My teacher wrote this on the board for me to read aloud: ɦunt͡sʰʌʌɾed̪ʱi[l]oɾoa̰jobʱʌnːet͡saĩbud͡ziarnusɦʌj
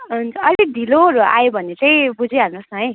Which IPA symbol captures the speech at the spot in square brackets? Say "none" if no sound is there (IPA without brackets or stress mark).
l